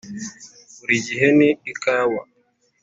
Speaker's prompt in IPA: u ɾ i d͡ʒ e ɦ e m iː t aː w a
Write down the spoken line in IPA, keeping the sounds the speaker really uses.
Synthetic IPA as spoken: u ɾ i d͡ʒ i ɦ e n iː k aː w a